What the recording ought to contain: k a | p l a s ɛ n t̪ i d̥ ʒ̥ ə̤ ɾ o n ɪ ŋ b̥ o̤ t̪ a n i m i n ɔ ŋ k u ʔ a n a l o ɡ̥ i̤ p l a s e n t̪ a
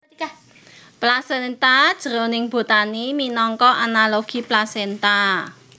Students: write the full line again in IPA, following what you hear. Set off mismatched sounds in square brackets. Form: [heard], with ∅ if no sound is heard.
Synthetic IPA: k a | p l a s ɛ n t̪ [a] d̥ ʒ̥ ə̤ ɾ o n ɪ ŋ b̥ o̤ t̪ a n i m i n ɔ ŋ k [ɔ] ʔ a n a l o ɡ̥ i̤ p l a s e n t̪ a